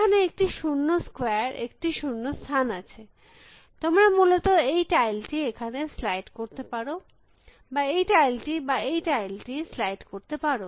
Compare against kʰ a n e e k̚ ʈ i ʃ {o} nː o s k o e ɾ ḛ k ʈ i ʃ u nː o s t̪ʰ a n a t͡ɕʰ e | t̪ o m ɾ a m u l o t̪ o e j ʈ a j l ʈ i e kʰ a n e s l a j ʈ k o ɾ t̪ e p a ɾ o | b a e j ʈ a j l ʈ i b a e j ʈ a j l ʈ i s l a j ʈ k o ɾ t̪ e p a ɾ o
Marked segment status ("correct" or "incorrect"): incorrect